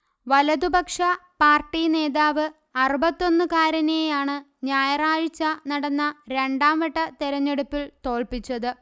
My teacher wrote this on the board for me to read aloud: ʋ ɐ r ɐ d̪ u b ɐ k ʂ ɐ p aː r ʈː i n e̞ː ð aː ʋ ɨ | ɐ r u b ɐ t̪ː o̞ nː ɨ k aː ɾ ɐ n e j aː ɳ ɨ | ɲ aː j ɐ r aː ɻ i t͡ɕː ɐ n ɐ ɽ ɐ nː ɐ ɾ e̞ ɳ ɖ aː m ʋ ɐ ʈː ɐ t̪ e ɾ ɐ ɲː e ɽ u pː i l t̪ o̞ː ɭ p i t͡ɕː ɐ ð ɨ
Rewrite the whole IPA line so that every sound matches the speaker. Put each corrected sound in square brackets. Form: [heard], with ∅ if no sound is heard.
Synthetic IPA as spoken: ʋ ɐ [l] ɐ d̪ u b ɐ k ʂ ɐ p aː r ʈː i n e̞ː ð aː ʋ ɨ | ɐ r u b ɐ t̪ː o̞ nː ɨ k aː ɾ ɐ n e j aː ɳ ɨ | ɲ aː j ɐ r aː ɻ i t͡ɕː ɐ n ɐ ɽ ɐ nː ɐ ɾ e̞ ɳ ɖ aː m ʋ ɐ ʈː ɐ t̪ e ɾ ɐ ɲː e ɽ u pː i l t̪ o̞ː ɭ p i t͡ɕː ɐ ð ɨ